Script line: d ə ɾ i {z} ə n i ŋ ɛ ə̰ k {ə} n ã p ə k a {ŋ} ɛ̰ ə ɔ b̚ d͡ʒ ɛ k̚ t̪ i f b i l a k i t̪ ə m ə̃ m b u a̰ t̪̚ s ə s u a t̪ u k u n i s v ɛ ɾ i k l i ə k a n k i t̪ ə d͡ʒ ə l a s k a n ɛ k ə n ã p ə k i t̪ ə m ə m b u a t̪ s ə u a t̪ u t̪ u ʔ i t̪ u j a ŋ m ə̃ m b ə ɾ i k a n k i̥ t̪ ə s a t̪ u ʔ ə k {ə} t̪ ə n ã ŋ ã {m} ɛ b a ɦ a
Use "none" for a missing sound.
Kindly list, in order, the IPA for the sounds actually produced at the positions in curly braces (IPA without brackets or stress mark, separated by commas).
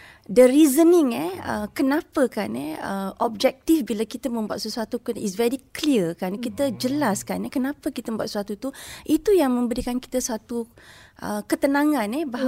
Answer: z, ə, n, ə, n